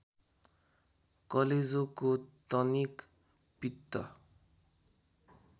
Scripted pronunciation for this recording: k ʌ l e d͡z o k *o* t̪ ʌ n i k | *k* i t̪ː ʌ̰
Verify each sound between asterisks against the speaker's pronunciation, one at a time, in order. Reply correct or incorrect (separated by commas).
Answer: correct, incorrect